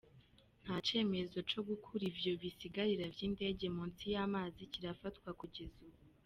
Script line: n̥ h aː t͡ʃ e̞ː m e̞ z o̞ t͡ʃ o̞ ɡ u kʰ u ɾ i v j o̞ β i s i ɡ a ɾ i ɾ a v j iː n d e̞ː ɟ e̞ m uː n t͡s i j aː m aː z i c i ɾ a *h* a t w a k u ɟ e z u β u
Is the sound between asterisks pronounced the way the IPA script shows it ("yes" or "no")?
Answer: no